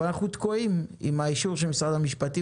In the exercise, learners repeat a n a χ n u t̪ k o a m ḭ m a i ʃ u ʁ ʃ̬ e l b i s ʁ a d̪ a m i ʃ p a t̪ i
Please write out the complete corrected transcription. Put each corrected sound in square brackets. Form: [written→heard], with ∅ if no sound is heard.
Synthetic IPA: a n a χ n u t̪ k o [a→i] m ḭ m a i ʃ u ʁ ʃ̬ e l [b→m] i s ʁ a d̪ a m i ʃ p a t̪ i